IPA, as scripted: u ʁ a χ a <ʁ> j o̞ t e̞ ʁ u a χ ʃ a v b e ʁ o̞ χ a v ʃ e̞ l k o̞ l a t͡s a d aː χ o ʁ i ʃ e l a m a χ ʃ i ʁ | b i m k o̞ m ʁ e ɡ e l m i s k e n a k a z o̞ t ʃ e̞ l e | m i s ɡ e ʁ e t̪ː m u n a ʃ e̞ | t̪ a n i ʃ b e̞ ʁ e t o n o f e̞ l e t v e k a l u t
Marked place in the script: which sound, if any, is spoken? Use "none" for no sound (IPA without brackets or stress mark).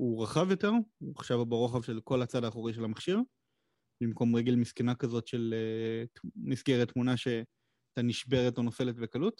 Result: v